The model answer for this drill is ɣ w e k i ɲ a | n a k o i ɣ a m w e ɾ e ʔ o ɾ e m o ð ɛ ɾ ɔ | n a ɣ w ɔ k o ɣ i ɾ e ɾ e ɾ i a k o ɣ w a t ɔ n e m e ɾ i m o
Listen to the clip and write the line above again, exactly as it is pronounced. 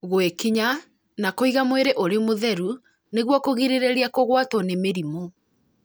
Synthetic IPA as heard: ɣ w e k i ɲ a | n a k o i ɣ a m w e ɾ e ʔ o ɾ e m o ð ɛ ɾ u | n e ɣ w ɔ k o ɣ i ɾ e ɾ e ɾ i a k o ɣ w a t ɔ n e m e ɾ i m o